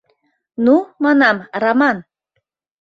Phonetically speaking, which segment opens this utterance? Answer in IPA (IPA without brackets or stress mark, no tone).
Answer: n